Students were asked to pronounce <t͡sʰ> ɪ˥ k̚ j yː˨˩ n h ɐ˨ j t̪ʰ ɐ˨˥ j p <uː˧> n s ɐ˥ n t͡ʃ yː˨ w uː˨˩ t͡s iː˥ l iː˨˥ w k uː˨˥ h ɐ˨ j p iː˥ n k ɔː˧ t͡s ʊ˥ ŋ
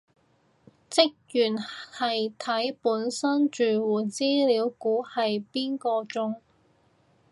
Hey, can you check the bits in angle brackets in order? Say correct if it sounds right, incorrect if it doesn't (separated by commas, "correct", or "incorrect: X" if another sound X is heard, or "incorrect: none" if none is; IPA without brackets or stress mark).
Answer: incorrect: t͡s, incorrect: uː˨˥